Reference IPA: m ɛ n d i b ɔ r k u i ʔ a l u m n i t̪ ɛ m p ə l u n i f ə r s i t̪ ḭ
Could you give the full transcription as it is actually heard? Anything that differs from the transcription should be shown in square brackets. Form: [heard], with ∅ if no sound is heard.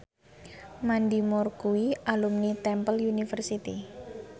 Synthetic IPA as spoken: m [a] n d i [m] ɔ r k u i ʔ a l u m n i t̪ ɛ m p ə l u n i f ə r s i t̪ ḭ